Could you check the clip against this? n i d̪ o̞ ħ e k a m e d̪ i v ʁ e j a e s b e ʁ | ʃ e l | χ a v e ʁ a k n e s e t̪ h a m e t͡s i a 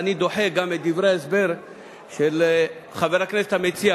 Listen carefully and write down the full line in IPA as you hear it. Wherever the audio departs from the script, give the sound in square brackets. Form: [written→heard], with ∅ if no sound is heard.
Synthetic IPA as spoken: n i d̪ o̞ ħ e [k→ɡ] a m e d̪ i v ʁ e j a e s b e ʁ | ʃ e l | χ a v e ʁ a k n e s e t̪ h a m e t͡s i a